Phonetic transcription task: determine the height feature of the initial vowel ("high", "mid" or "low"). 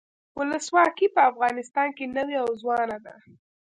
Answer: high